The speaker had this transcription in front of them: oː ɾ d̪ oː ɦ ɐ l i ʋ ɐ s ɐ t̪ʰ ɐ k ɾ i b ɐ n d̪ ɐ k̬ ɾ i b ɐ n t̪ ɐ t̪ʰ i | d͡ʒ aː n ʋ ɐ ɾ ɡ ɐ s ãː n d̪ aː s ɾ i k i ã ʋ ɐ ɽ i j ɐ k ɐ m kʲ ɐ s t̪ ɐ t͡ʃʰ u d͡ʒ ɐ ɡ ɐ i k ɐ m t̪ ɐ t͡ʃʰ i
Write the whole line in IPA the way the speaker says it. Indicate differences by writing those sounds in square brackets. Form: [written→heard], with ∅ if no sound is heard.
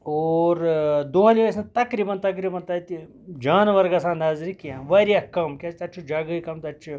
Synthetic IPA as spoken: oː ɾ d̪ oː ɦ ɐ l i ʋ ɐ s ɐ [t̪ʰ→t̪] ɐ k ɾ i b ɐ n [d̪→t̪] ɐ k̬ ɾ i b ɐ n t̪ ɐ [t̪ʰ→t̪] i | d͡ʒ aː n ʋ ɐ ɾ ɡ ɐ s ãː n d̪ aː [s→z] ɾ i k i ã ʋ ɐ [ɽ→ɾ] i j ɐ k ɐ m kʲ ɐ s t̪ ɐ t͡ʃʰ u d͡ʒ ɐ ɡ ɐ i k ɐ m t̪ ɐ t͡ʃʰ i